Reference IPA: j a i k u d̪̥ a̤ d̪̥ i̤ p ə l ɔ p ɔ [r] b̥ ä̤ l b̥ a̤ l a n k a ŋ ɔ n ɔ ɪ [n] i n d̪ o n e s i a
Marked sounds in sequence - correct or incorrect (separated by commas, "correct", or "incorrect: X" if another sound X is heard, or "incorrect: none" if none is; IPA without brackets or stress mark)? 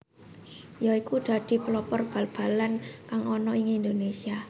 correct, incorrect: ŋ